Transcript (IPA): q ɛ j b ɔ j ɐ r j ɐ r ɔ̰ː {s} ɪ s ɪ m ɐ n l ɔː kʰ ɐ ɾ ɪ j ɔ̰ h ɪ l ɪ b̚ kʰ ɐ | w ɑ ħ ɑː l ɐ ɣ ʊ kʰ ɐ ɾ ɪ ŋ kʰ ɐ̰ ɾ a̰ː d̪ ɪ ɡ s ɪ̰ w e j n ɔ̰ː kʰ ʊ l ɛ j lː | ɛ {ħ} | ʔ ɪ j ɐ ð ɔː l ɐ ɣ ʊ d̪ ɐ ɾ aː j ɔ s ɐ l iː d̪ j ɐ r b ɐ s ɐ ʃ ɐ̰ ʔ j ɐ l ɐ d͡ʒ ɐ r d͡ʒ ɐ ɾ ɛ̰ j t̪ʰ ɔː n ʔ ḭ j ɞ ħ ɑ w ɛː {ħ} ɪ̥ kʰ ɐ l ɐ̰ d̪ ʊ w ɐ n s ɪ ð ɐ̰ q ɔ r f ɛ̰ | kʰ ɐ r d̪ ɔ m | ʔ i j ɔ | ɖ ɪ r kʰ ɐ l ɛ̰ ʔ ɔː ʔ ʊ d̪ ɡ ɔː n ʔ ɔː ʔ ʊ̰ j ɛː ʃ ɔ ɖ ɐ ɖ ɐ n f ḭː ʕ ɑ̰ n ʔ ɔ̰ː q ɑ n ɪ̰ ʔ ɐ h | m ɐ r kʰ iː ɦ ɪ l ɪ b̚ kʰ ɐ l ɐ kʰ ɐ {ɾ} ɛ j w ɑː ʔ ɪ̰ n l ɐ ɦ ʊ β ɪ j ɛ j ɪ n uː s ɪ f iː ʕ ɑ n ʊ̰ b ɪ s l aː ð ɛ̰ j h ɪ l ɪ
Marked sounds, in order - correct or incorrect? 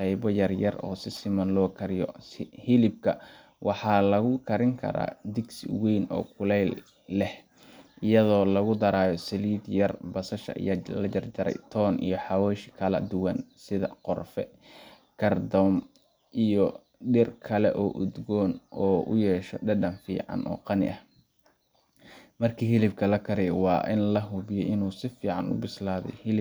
correct, incorrect, incorrect, correct

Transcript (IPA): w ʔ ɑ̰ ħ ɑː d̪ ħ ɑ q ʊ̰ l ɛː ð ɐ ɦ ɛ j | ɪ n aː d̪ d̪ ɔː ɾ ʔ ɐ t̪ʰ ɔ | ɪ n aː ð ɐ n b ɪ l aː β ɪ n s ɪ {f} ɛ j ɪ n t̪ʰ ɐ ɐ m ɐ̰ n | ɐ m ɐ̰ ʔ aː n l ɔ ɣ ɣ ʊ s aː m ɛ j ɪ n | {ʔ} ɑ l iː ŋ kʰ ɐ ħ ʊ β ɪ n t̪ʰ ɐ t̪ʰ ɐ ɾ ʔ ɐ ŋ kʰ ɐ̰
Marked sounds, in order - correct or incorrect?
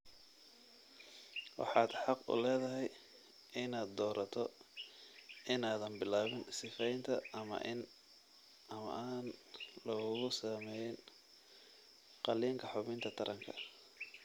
correct, incorrect

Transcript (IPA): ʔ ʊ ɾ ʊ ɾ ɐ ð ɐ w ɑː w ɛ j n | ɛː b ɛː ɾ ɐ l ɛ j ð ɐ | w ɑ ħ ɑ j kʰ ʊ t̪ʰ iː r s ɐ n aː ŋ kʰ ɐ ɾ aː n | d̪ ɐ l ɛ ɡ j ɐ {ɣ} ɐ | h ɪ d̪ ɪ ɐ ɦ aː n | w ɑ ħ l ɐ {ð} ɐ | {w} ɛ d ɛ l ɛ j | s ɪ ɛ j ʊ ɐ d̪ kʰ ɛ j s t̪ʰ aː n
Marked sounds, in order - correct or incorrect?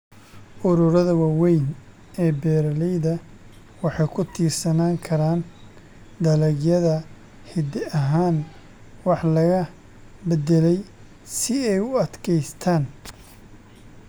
incorrect, incorrect, incorrect

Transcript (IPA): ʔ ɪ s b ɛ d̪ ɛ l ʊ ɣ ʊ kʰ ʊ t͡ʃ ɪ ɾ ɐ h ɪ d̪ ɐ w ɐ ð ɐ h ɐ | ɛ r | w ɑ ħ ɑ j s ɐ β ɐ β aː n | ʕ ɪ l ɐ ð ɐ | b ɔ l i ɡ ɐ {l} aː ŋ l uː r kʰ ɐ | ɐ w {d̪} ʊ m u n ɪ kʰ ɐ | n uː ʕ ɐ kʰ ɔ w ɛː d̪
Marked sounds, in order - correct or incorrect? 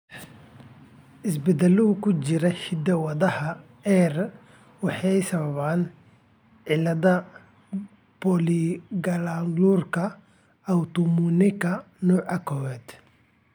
correct, incorrect

